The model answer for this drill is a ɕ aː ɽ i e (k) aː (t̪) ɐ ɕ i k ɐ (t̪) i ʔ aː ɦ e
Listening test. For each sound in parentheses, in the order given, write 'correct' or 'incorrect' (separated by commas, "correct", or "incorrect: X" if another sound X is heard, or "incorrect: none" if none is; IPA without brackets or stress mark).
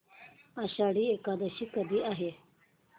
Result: correct, incorrect: d̪, incorrect: d̪